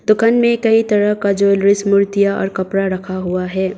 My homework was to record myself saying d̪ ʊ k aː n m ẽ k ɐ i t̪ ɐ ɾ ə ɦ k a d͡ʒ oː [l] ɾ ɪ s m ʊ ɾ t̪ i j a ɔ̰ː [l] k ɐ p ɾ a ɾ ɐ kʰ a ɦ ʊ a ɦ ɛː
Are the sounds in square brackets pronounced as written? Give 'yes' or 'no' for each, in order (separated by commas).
yes, no